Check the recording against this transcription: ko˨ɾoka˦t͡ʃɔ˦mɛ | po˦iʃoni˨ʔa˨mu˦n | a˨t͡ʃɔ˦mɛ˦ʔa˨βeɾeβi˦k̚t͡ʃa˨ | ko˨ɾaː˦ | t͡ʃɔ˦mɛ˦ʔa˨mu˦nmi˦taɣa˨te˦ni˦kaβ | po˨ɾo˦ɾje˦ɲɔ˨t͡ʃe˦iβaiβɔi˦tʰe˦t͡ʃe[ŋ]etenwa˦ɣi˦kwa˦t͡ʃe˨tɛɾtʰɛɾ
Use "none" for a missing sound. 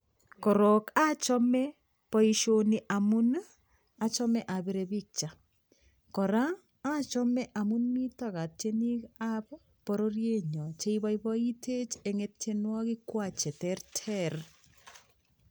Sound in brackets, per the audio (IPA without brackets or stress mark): ŋ